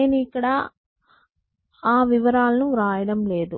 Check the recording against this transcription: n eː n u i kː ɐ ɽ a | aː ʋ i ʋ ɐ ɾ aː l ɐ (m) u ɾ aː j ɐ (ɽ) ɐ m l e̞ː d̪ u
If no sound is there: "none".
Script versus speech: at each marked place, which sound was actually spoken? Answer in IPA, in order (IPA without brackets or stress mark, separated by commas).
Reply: n, ɽ